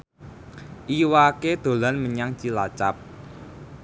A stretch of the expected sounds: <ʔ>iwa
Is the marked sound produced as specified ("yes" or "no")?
yes